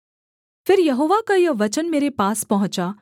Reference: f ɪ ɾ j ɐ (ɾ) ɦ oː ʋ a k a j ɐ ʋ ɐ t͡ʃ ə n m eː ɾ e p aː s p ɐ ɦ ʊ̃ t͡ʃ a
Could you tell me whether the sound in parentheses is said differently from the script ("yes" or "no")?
yes